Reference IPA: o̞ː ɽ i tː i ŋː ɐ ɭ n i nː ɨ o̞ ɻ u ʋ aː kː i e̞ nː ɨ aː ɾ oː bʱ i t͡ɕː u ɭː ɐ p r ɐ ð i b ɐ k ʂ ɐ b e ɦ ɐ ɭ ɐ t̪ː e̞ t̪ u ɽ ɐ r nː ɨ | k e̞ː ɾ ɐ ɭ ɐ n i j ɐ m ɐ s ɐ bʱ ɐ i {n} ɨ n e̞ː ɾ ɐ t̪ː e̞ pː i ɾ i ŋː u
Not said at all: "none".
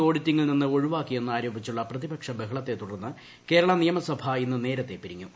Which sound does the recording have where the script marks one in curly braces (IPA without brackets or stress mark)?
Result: nː